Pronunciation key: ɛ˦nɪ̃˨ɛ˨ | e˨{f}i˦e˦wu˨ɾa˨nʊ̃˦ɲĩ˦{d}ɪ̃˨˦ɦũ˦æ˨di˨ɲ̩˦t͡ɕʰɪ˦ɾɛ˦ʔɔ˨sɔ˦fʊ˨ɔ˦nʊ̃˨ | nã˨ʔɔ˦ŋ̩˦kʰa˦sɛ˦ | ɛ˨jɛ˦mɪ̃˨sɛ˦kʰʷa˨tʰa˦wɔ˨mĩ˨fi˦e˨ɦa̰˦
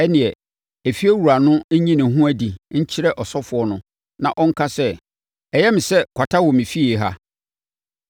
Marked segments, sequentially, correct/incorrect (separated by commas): correct, incorrect